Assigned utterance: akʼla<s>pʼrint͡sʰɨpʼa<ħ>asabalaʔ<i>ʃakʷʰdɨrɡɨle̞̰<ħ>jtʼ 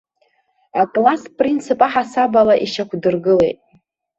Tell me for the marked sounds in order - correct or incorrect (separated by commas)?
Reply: correct, correct, correct, incorrect